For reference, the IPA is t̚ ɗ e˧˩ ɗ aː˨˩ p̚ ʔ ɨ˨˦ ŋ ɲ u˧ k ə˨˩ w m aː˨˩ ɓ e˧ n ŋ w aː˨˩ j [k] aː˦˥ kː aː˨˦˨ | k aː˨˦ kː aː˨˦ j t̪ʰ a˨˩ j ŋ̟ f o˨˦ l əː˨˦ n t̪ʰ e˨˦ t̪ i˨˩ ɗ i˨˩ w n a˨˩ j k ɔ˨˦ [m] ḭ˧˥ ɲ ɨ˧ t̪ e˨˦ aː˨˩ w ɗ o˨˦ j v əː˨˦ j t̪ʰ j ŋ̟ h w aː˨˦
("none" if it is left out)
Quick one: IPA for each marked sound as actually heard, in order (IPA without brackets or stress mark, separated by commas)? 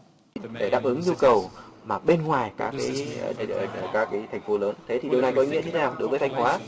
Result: k, ŋ